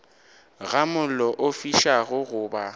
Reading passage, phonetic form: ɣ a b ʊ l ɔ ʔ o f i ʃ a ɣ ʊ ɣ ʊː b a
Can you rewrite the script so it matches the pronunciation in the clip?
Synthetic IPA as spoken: ɣ a m ʊ l ɔ ʔ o f i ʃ a ɣ ʊ ɣ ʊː b a